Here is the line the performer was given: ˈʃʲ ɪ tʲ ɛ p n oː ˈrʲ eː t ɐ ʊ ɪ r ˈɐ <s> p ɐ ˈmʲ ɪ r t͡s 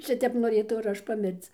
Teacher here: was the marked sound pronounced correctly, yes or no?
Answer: no